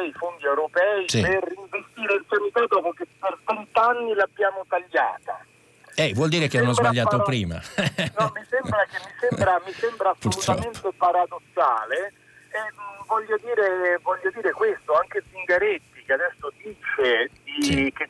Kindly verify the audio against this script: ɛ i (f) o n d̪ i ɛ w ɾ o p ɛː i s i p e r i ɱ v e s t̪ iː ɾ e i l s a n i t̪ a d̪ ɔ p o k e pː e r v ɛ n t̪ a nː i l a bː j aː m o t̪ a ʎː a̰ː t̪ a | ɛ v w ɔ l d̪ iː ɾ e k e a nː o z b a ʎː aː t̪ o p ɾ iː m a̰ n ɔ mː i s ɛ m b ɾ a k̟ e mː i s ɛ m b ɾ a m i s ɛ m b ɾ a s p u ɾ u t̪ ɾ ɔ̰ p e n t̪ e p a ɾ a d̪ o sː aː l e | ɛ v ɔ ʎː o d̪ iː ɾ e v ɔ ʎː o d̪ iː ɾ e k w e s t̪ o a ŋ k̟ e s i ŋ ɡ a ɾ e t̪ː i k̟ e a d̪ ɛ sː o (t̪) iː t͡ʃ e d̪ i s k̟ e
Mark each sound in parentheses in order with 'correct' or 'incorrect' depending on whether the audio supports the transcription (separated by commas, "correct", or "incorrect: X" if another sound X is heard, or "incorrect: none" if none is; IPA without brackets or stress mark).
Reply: correct, incorrect: d̪